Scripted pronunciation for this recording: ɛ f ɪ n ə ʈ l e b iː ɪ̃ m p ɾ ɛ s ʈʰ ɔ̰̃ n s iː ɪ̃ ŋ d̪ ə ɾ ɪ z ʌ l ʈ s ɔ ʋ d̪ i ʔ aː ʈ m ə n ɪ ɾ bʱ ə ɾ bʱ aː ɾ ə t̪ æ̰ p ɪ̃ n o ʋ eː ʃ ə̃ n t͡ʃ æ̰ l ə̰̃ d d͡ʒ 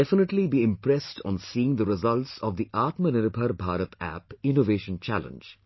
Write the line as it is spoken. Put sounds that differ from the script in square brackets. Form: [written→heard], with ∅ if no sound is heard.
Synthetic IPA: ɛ f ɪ n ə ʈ l [e→i] b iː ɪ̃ m p ɾ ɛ s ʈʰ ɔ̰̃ n s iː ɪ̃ ŋ d̪ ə ɾ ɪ z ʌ l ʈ s ɔ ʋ d̪ i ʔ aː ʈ m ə n ɪ ɾ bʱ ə ɾ bʱ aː ɾ ə t̪ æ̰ p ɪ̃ n o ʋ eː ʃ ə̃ n t͡ʃ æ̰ l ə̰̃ [d→n] d͡ʒ